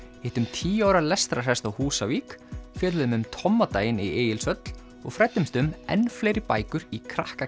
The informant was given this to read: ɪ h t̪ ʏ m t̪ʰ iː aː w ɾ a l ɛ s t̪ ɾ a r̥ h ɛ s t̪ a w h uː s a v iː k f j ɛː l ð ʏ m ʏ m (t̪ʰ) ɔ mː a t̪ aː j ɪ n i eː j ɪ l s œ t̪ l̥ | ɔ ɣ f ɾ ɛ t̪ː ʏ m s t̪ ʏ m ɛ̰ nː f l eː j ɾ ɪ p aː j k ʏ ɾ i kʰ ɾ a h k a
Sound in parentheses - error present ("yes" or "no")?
no